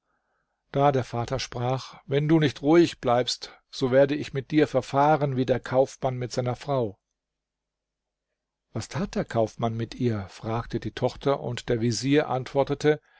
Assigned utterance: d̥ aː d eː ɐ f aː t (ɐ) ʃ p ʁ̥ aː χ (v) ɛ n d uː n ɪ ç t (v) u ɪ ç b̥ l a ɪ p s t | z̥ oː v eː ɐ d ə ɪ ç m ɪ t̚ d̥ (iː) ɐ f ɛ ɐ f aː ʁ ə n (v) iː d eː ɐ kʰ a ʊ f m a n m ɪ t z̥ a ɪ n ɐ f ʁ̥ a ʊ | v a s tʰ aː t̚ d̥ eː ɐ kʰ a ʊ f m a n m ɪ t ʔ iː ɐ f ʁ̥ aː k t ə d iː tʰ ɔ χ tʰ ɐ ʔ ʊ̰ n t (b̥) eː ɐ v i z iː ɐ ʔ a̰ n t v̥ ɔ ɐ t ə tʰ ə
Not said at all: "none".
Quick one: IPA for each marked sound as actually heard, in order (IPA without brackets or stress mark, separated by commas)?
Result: ɐ, v, ʁ, iː, v, d̥